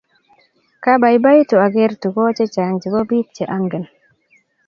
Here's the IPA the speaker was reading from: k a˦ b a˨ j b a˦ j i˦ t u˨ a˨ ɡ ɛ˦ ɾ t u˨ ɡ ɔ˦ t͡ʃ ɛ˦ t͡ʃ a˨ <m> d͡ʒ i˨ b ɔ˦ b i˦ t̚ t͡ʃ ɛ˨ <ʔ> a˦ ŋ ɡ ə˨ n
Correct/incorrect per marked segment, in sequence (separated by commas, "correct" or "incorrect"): incorrect, correct